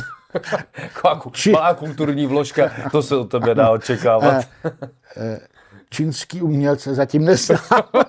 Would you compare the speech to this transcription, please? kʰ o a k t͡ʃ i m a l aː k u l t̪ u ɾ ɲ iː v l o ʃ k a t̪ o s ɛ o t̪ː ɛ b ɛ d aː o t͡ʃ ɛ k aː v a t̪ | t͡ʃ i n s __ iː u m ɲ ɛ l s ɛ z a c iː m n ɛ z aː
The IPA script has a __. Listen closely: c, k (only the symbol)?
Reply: k